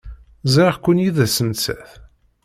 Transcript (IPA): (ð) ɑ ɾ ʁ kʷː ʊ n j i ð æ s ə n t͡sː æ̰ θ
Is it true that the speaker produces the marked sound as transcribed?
no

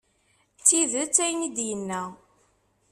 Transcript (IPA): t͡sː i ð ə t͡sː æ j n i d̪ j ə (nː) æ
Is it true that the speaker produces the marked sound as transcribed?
yes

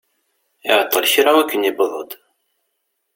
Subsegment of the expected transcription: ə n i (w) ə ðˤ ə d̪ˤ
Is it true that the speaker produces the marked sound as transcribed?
no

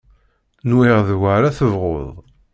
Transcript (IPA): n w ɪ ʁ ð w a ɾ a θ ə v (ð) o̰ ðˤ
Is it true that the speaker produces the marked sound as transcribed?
no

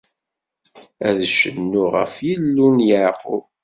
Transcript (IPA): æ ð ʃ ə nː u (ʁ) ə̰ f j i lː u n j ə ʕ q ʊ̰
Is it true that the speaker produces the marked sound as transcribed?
yes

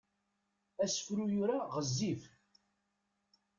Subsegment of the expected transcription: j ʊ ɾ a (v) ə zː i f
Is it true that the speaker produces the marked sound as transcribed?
no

